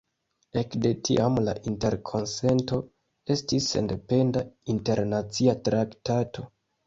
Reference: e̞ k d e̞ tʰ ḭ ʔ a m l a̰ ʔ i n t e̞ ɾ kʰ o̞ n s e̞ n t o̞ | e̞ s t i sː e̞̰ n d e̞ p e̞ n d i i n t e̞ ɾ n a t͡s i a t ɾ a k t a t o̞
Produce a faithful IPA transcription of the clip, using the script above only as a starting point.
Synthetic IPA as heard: e̞ k d e̞ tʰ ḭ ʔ a m l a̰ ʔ i n t e̞ ɾ kʰ o̞ n s e̞ n t o̞ | e̞ s t i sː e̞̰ n d e̞ p e̞ n d a i n t e̞ ɾ n a t͡s i a t ɾ a k t a t o̞